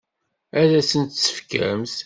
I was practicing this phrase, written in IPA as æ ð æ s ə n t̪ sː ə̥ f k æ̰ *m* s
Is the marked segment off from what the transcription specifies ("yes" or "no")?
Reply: no